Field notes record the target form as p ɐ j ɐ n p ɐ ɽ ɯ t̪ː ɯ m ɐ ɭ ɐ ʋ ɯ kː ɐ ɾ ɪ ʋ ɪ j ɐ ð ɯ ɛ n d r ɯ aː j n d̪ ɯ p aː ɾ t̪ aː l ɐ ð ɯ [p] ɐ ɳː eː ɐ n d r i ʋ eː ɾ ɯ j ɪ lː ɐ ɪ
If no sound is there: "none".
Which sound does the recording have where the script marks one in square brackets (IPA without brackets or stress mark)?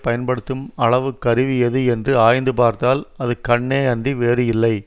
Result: k